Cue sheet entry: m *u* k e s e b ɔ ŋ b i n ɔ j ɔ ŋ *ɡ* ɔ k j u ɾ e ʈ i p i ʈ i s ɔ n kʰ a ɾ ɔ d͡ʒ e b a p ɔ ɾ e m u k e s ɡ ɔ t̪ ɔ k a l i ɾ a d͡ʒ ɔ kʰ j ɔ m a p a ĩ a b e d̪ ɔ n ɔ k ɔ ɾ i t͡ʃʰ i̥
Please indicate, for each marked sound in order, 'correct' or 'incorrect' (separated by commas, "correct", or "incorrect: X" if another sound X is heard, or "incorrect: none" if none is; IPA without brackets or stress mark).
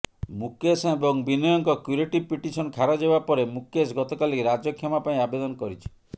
correct, incorrect: k